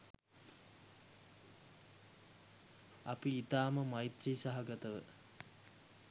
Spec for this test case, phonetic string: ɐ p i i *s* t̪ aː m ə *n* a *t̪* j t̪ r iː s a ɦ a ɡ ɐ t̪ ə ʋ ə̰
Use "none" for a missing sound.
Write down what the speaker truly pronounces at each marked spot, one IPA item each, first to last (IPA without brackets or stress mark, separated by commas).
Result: none, m, none